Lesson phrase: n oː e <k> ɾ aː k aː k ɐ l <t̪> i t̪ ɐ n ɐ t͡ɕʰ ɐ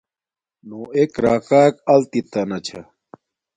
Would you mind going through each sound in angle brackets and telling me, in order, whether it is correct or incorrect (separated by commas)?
correct, correct